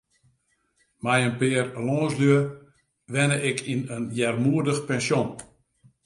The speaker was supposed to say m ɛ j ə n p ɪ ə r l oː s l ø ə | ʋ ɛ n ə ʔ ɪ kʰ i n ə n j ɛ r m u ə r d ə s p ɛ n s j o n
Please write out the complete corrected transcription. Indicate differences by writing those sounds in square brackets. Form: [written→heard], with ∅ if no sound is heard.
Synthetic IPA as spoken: m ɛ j ə n p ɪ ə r l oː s l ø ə | ʋ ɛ n ə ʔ ɪ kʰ i n ə n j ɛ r m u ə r d ə [s→x] p ɛ n s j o n

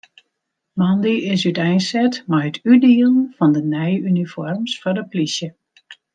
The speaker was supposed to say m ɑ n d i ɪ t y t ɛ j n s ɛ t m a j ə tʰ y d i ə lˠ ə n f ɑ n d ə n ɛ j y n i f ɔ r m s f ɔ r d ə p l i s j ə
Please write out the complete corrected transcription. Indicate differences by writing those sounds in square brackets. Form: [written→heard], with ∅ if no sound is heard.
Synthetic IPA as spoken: m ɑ n d i ɪ [t→s] y t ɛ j n s ɛ t m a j ə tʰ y d i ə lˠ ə n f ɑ n d ə n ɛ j y n i f ɔ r m s f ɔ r d ə p l i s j ə

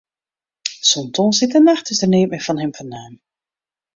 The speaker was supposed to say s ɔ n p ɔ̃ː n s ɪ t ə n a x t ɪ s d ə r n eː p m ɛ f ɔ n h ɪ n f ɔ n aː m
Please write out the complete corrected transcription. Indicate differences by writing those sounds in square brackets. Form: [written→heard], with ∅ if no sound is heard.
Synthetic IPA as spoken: s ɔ n [p→t] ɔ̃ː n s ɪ t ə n a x t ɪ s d ə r n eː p m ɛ f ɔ n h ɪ [n→m] f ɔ n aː m

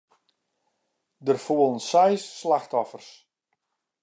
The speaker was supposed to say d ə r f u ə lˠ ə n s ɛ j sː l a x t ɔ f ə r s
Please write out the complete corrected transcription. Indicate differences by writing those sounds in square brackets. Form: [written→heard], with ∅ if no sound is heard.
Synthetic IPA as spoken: d ə r f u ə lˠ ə n s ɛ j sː l a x t ɔ f ə r s

